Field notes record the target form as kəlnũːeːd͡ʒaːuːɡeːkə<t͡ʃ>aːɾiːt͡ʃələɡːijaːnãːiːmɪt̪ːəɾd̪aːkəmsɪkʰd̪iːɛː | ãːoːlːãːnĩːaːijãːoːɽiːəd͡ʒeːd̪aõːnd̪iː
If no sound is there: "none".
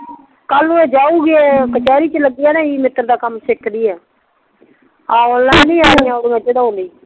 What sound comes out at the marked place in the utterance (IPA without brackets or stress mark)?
t͡ʃ